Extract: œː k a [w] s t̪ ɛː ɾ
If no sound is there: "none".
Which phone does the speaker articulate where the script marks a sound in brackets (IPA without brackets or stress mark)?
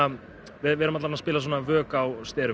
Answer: w